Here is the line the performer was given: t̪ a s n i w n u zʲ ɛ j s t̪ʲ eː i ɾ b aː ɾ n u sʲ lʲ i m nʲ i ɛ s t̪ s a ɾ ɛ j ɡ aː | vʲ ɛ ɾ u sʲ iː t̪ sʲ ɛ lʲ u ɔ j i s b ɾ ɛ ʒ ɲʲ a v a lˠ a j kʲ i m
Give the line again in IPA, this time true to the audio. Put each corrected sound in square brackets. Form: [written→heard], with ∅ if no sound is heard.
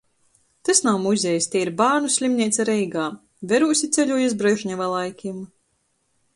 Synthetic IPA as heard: t̪ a s n [i→a] w [n→m] u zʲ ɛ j s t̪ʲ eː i ɾ b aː ɾ n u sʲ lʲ i m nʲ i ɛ [s→∅] t̪ s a ɾ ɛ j ɡ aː | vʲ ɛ ɾ u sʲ [iː→i] t̪ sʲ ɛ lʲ u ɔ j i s b ɾ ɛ ʒ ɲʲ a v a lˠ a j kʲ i m